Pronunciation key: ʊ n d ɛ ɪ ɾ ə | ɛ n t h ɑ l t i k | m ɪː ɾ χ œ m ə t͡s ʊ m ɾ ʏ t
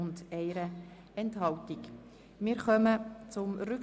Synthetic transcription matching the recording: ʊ n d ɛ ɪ ɾ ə | ɛ n t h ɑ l t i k | m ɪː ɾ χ œ m ə t͡s ʊ m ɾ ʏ k